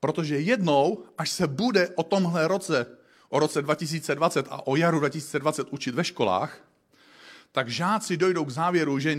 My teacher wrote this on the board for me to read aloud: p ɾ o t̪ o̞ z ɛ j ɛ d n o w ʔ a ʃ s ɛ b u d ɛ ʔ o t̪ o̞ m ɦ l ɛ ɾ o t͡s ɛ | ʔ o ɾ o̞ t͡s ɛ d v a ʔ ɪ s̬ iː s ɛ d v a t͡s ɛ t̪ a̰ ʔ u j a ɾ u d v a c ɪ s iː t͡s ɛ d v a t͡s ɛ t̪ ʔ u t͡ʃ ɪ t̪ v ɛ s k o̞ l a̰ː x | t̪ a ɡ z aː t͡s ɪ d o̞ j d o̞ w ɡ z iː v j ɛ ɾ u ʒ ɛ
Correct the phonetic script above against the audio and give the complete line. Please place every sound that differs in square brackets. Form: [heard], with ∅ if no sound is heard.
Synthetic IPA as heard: p ɾ o t̪ o̞ [ʒ] ɛ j ɛ d n o w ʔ a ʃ s ɛ b u d ɛ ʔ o t̪ o̞ m ɦ l ɛ ɾ o t͡s ɛ | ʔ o ɾ o̞ t͡s ɛ d v a [c] ɪ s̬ iː [t͡s] ɛ d v a t͡s ɛ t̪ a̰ ʔ [o] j a ɾ u d v a c ɪ s iː t͡s ɛ d v a t͡s ɛ t̪ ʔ u t͡ʃ ɪ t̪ v ɛ [ʃ] k o̞ l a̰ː x | t̪ a ɡ [ʒ] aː t͡s ɪ d o̞ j d o̞ w ɡ z [aː] v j ɛ ɾ u ʒ ɛ